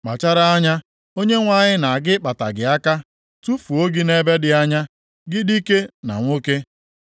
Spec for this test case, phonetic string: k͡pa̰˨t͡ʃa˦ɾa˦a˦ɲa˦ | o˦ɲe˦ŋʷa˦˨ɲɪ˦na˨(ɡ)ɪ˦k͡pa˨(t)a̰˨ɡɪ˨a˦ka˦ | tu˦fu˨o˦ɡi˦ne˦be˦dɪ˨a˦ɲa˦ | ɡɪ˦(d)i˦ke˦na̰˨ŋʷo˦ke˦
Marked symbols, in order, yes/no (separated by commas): yes, yes, yes